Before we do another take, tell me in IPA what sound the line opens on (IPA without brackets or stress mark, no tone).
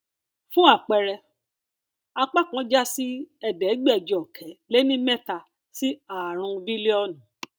f